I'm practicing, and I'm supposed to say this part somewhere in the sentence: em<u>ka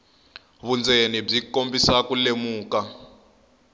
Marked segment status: incorrect: uː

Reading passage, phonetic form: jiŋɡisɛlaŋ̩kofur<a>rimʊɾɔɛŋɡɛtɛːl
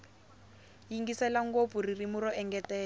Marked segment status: incorrect: i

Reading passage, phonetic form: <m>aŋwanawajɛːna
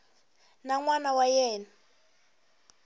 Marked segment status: incorrect: n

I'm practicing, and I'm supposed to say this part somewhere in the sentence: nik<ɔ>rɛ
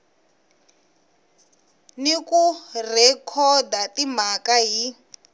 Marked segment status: incorrect: u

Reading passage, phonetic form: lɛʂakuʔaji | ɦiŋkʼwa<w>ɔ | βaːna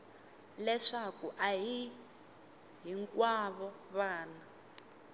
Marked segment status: incorrect: β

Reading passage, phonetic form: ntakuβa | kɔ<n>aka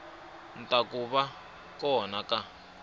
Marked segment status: correct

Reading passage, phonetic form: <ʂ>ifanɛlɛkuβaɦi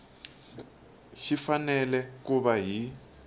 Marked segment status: incorrect: ʃ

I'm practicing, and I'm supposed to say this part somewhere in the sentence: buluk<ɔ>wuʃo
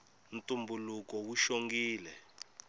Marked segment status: correct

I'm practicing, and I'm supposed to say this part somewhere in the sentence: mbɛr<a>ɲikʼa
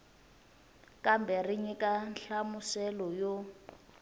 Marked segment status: incorrect: i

